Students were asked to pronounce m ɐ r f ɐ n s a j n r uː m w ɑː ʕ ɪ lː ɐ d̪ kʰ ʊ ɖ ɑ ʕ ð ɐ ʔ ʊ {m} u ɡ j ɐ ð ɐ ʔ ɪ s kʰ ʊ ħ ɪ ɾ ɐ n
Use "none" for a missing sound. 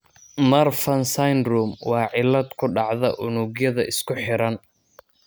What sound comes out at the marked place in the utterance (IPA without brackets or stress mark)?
n